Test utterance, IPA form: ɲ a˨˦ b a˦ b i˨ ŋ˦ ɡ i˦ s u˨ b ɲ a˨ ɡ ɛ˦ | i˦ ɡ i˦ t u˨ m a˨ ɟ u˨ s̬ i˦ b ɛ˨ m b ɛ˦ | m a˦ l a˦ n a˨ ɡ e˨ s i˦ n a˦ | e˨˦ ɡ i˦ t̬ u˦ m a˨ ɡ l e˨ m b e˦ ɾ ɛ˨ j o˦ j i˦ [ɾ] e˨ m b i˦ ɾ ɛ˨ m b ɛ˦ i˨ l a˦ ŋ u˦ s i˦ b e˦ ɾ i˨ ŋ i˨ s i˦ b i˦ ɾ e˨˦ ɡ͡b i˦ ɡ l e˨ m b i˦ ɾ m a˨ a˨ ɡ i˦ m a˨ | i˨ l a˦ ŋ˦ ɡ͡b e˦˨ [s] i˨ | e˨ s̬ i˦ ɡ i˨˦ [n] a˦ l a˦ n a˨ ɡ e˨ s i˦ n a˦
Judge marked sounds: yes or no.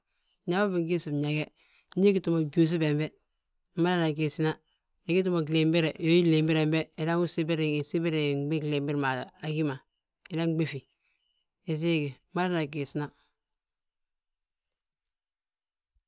no, no, no

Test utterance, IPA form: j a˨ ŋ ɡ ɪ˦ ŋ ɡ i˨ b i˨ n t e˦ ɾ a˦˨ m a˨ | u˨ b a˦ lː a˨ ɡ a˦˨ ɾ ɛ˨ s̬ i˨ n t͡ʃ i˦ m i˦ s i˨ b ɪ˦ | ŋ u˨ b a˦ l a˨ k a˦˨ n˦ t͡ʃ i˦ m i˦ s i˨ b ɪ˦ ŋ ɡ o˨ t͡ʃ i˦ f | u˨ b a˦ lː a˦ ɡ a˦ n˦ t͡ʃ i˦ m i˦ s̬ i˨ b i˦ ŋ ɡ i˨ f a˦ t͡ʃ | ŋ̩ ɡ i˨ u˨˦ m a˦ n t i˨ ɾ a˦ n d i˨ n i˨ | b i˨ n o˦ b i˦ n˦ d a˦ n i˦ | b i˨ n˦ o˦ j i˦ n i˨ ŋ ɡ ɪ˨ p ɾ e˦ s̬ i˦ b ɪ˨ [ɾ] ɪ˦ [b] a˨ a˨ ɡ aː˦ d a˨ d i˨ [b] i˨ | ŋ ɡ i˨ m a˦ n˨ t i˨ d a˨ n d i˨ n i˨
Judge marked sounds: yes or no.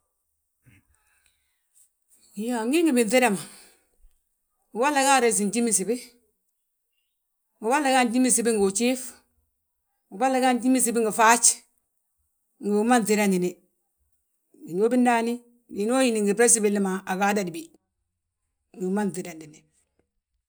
no, no, yes

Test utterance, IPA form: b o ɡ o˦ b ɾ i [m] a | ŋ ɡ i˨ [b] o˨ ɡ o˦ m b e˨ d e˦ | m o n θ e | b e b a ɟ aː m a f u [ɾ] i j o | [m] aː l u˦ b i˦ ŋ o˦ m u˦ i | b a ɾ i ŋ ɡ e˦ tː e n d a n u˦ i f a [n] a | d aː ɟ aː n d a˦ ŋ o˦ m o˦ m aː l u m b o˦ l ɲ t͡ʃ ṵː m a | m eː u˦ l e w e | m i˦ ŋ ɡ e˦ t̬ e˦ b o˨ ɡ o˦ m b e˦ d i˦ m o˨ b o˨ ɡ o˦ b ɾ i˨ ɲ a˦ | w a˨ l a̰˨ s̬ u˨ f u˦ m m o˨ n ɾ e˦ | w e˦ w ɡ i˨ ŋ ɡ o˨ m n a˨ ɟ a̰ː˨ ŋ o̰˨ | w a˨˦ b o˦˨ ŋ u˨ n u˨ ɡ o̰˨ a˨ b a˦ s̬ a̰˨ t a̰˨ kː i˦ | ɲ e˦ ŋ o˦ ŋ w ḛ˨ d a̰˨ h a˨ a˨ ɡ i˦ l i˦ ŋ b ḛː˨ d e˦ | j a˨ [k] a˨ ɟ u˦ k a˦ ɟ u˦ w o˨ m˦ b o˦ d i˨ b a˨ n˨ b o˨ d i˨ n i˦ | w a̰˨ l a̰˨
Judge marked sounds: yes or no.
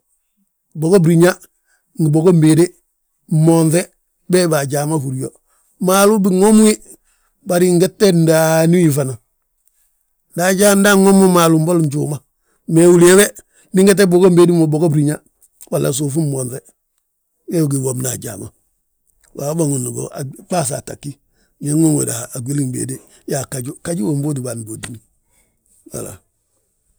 no, yes, yes, yes, yes, yes

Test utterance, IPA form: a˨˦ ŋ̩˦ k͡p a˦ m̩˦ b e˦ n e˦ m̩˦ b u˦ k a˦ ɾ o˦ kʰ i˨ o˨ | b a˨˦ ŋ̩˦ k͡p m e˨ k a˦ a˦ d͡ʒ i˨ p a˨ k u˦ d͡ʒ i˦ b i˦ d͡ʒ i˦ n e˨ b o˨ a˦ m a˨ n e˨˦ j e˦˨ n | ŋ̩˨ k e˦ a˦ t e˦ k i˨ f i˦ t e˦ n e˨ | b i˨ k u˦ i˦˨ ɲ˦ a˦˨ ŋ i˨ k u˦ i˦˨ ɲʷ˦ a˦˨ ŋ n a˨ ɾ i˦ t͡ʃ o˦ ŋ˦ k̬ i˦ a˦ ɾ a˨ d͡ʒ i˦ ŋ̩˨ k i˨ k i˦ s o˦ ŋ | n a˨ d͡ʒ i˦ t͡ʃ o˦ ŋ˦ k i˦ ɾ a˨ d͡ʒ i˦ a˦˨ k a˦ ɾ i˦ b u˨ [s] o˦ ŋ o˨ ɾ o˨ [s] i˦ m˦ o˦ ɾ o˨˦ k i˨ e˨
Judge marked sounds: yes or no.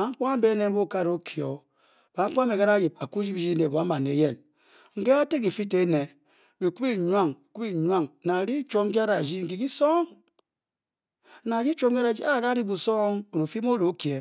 yes, no

